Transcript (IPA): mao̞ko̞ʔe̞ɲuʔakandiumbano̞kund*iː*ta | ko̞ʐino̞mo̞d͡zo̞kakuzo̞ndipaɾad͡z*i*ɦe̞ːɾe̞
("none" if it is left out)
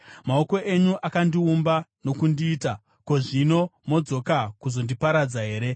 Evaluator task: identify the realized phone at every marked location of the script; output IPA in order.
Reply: iː, a

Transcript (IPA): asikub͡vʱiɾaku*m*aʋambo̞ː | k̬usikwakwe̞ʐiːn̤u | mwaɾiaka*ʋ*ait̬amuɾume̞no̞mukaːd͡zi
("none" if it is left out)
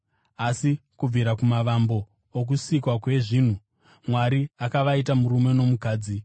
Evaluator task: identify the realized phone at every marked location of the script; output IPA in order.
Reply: m, ʋ

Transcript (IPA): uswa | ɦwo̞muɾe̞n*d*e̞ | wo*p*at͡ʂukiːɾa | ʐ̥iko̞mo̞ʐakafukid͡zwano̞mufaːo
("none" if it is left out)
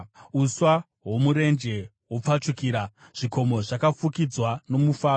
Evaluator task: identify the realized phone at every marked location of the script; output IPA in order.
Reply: d͡ʒ, p͡f

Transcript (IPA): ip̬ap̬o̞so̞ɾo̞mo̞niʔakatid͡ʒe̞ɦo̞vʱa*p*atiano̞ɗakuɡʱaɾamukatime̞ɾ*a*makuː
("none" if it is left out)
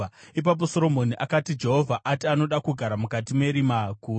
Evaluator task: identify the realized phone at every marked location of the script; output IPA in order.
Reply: ʔ, i

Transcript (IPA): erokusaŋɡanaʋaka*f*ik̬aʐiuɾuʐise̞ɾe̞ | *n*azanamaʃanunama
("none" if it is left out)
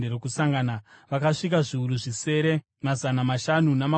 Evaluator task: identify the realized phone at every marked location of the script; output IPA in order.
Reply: ʂ, m

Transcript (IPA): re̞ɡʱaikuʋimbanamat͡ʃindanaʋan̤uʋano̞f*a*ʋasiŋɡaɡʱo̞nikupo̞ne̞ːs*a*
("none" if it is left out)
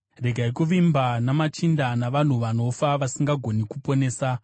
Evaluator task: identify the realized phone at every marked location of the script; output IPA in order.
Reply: a, a

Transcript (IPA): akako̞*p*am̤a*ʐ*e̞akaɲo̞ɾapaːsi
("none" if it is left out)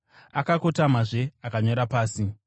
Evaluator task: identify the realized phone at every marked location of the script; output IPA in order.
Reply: t, ʐ

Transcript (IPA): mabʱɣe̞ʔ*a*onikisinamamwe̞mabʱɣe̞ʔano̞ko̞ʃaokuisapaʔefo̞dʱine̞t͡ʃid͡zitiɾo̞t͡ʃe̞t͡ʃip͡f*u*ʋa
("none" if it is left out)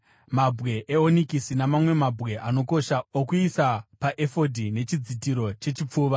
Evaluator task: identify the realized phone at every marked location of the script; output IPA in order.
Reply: e, uː

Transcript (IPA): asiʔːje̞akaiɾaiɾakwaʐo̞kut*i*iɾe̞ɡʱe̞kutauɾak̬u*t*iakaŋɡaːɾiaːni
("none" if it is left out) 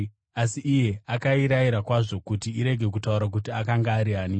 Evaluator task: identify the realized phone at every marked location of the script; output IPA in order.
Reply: i, t

